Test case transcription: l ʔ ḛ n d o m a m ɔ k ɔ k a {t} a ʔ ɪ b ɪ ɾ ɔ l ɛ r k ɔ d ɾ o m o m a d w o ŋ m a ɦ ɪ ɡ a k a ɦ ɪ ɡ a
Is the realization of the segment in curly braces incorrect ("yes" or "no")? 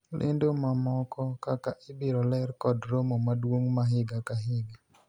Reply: yes